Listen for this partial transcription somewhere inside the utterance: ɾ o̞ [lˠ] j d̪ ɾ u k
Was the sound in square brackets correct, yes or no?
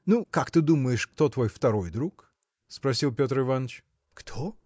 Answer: no